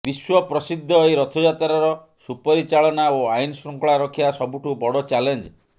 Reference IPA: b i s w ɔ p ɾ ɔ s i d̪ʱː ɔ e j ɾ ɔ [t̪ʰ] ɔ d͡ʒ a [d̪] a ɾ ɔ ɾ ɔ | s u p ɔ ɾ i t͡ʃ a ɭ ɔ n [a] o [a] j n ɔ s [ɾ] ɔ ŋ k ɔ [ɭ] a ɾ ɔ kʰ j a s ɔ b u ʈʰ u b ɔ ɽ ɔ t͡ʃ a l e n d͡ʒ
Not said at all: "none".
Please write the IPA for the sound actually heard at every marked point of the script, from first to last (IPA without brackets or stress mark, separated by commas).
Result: t̪ʰ, t̪, a, a, ɾ, ɭ